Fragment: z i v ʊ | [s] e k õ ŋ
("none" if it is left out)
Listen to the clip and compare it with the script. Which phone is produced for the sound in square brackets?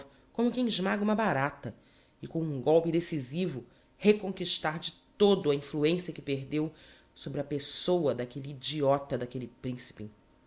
h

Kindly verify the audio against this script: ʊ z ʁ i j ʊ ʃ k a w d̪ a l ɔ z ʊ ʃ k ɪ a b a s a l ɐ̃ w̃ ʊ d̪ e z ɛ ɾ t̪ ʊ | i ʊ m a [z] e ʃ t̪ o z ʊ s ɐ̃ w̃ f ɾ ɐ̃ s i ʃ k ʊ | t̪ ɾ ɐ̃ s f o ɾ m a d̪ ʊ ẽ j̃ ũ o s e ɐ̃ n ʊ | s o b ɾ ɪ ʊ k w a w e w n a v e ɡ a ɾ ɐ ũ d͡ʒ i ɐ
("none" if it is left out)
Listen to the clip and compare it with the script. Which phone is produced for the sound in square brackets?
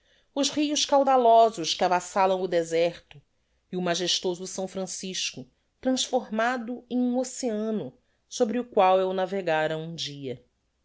ʒ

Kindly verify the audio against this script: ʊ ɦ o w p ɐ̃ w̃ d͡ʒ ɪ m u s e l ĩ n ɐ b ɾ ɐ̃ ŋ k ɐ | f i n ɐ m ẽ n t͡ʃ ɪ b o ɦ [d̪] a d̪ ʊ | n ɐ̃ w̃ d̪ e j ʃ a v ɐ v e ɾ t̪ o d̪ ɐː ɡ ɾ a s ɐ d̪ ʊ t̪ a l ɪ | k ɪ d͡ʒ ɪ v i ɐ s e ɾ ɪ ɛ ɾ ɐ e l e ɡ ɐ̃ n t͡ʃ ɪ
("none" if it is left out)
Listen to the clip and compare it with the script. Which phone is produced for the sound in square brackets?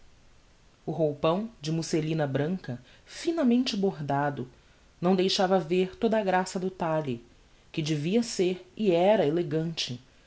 d̪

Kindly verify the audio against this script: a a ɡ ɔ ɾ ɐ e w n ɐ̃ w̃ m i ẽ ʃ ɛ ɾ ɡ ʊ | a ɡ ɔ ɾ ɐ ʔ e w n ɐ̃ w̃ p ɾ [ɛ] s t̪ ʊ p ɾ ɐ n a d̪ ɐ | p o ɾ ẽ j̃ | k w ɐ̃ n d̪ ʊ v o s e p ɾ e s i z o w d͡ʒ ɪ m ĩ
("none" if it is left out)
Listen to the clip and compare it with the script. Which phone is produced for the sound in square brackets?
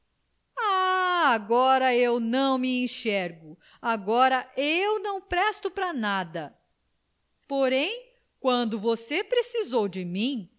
ɛ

